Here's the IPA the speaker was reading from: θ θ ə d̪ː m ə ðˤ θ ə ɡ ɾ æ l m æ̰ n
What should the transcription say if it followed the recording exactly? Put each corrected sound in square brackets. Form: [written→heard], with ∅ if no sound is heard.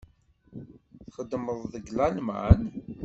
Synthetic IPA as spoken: θ [θ→χ] ə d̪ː m ə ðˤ [θ→ð] ə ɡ [ɾ→l] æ l m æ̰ n